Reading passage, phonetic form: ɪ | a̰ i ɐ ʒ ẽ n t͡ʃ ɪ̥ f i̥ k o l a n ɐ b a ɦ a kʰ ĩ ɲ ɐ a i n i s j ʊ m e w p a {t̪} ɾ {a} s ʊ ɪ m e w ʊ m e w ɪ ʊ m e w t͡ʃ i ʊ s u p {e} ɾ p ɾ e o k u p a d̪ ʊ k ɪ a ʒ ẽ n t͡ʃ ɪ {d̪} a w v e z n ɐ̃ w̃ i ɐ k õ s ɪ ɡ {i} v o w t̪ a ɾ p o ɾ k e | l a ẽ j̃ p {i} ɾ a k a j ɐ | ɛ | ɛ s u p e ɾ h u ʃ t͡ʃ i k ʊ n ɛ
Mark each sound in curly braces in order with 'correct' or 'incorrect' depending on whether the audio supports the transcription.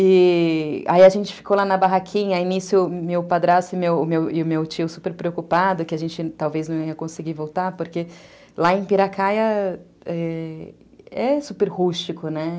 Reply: incorrect: d̪, correct, correct, incorrect: t̪, correct, correct

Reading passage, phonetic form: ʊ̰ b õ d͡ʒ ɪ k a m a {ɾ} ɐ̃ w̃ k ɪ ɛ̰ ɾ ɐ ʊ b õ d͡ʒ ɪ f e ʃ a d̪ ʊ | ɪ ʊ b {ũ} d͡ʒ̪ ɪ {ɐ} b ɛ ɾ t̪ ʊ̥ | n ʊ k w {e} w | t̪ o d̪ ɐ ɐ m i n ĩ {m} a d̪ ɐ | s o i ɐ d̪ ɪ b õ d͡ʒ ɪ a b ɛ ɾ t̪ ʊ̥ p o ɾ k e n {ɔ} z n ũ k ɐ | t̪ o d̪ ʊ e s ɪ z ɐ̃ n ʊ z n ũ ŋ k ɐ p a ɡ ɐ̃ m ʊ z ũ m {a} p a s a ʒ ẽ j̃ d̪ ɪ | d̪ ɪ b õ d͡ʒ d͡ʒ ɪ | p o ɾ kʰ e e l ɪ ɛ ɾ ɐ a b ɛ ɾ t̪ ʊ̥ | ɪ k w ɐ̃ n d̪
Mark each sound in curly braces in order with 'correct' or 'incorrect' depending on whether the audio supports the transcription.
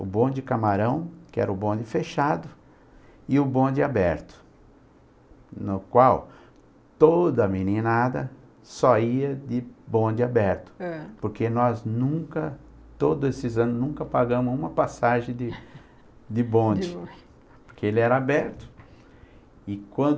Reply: correct, incorrect: õ, incorrect: a, incorrect: a, incorrect: n, correct, incorrect: ɐ

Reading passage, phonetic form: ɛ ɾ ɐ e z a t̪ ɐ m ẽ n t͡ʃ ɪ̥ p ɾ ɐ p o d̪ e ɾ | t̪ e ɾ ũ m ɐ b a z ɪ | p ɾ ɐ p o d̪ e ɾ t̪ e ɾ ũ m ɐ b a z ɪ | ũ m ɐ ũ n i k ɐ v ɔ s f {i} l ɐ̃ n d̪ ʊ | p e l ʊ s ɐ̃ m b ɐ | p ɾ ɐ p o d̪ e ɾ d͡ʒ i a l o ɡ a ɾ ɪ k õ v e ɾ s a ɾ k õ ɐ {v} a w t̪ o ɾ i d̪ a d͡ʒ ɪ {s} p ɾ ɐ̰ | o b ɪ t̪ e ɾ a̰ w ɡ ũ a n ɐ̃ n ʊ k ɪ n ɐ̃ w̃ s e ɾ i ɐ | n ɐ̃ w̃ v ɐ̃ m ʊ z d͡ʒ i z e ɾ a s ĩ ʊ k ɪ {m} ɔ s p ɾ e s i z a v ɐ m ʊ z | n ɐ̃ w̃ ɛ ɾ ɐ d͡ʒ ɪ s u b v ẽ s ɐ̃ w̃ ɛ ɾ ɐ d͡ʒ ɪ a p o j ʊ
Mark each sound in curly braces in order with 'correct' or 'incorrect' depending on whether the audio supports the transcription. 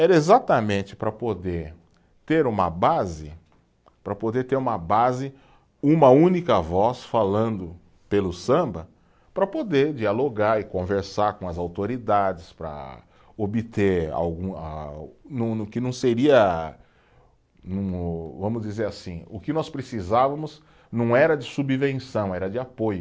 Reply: incorrect: a, incorrect: z, correct, incorrect: n

